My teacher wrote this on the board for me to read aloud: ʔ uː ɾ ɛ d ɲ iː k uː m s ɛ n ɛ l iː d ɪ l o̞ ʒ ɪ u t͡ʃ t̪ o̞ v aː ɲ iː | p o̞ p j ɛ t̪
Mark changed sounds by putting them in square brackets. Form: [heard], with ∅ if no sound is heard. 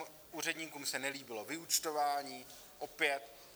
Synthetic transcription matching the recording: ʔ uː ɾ ɛ d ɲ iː k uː m s ɛ n ɛ l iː [b] ɪ l o̞ [v] ɪ u t͡ʃ t̪ o̞ v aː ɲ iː | [ʔ] o̞ p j ɛ t̪